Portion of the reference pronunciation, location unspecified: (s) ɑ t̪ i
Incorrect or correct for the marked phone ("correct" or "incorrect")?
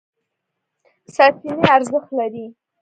correct